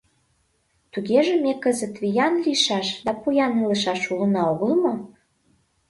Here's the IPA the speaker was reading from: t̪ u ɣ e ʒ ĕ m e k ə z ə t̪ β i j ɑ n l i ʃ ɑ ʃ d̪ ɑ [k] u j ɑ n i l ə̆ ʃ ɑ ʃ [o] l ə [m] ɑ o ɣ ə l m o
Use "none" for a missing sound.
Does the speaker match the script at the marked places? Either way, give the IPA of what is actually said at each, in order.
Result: p, u, n

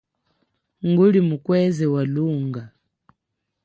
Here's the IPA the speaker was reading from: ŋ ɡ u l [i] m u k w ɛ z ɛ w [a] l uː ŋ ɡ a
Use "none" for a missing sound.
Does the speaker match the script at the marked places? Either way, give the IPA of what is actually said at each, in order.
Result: i, a

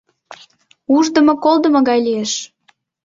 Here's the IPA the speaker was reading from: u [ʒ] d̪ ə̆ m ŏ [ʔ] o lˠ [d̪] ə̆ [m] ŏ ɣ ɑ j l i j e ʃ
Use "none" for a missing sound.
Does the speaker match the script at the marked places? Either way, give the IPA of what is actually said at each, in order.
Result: ʒ, k, d̪, m

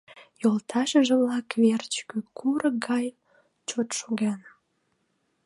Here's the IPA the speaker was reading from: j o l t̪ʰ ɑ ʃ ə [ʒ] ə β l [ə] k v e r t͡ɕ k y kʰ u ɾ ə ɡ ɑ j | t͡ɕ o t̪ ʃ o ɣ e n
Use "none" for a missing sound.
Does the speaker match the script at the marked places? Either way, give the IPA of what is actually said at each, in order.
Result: ʒ, ɑ

